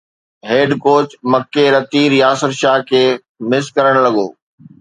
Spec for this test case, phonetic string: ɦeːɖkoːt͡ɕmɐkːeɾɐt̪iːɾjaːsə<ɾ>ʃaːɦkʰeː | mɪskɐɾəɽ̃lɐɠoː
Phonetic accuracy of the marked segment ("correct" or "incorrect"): correct